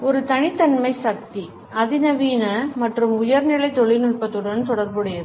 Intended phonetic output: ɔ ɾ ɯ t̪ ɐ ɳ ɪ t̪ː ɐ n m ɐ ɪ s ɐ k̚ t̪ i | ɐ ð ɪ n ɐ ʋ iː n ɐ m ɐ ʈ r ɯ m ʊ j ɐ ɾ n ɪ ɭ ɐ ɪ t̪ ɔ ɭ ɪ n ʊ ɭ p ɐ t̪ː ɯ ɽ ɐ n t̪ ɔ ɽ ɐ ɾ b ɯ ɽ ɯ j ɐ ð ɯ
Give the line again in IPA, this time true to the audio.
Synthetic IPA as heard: ɔ ɾ ɯ t̪ ɐ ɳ ɪ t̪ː ɐ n m ɐ ɪ s ɐ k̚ t̪ i | ɐ ð ɪ n ɐ ʋ iː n ɐ m ɐ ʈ r ɯ m ʊ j ɐ ɾ n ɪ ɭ ɐ ɪ t̪ ɔ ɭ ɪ n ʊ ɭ p ɐ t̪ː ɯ ɽ ɐ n t̪ ɔ ɽ ɐ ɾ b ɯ ɽ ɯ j ɐ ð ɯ

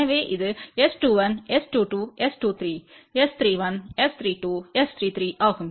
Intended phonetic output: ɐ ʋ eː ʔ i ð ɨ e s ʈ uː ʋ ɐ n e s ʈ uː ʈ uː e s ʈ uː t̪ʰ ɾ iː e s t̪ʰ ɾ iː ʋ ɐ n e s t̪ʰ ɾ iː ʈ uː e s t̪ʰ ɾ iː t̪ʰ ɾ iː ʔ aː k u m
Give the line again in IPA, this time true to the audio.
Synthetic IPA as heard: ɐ ʋ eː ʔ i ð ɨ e s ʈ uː ʋ ɐ n e s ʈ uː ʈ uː e s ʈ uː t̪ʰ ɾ iː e s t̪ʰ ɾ iː ʋ ɐ n e s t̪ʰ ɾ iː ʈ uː e s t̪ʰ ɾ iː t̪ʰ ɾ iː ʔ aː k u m

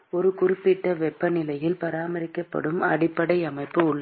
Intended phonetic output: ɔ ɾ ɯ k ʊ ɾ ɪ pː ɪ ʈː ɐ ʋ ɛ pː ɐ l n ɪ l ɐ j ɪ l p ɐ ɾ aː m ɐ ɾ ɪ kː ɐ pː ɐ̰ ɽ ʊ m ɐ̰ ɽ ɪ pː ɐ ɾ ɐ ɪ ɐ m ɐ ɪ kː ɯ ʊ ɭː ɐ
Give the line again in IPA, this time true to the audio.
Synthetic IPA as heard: ɔ ɾ ɯ k ʊ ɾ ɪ pː ɪ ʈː ɐ ʋ ɛ pː ɐ n ɪ l ɐ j ɪ l p ɐ ɾ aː m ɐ ɾ ɪ kː ɐ pː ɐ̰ ɽ ɯ m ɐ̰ ɽ ɪ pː ɐ ɽ ɐ ɪ ɐ m ɐ ɪ pː ɯ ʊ ɭː ɐ

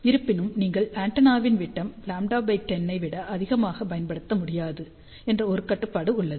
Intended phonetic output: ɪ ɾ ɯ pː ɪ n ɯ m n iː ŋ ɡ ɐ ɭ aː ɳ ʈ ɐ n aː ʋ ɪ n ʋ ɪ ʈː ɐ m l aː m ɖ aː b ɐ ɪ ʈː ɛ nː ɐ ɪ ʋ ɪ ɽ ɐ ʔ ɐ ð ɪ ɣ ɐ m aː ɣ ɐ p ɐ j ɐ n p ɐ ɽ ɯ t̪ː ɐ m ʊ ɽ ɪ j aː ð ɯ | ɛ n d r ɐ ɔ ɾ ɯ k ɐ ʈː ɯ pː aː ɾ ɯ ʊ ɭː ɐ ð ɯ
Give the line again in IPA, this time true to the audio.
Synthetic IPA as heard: ɪ ɾ ɯ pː ɪ n ɯ m n iː ŋ ɡ ɐ ɭ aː ɳ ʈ ɐ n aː ʋ ɪ n ʋ ɪ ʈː ɐ m l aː m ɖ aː b ɐ ɪ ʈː ɛ nː ɐ ɪ ʋ ɪ ɽ ɐ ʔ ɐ ð ɪ ɣ ɐ m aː ɣ ɐ p ɐ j ɐ n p ɐ ɽ ɯ t̪ː ɐ m ʊ ɽ ɪ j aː ð ɯ | ɛ n d r ɐ ɔ ɾ ɯ k ɐ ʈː ɯ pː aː ɽ ɯ ʊ ɭː ɐ ð ɯ

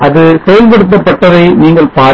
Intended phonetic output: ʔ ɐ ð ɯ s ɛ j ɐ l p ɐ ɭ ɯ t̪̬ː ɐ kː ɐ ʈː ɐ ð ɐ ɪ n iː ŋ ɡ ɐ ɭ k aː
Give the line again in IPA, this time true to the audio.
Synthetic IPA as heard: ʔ ɐ ð ɯ s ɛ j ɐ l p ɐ ɽ ɯ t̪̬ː ɐ pː ɐ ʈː ɐ ð ɐ ɪ n iː ŋ ɡ ɐ ɭ p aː

